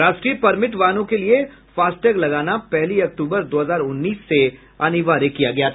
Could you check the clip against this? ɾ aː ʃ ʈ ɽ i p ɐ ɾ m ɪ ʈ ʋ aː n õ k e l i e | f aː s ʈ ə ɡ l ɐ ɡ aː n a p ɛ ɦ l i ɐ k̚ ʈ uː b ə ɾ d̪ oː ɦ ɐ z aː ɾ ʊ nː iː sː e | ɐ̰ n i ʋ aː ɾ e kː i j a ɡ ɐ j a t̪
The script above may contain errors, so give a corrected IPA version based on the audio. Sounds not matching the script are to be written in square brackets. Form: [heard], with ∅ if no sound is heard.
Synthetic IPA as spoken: ɾ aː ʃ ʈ [ɾ] i p ɐ ɾ m ɪ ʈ ʋ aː n õ k e l i e | f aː s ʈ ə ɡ l ɐ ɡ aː n a p ɛ ɦ l i ɐ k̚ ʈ uː b ə ɾ d̪ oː ɦ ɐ z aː ɾ ʊ nː iː sː e | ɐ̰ n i ʋ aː ɾ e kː i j a ɡ ɐ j a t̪